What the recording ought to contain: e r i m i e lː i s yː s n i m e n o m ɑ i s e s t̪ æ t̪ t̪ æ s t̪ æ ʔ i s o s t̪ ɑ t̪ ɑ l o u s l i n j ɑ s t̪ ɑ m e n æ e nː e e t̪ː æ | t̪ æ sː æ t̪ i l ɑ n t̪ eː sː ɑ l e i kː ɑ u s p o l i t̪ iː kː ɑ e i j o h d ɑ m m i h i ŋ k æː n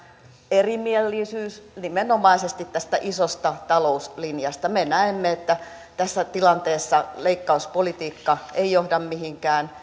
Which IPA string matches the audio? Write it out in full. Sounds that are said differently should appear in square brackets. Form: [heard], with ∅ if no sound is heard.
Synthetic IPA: e r i m i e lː i s yː s n i m e n o m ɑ i s e s t̪ [i] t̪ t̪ æ s t̪ æ ʔ i s o s t̪ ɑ t̪ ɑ l o u s l i n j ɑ s t̪ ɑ m e n æ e [mː] e e t̪ː æ | t̪ æ sː æ t̪ i l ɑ n t̪ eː sː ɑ l e i kː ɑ u s p o l i t̪ iː kː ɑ e i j o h d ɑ m m i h i ŋ k æː n